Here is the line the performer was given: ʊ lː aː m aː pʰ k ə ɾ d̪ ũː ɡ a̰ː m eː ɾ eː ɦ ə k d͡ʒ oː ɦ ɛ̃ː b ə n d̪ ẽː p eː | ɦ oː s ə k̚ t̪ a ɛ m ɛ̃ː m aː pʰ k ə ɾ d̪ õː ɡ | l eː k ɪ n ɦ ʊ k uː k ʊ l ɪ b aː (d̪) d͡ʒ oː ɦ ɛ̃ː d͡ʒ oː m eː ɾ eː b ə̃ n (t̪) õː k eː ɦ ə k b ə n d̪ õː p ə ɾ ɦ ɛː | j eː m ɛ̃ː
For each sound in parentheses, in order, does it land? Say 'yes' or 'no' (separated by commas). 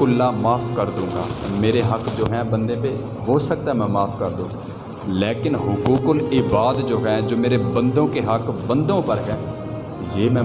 yes, no